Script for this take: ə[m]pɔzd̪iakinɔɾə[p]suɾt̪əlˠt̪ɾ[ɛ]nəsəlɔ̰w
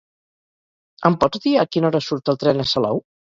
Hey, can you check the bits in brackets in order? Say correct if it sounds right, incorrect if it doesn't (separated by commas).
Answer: correct, incorrect, correct